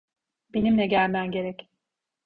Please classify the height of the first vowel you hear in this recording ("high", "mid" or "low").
mid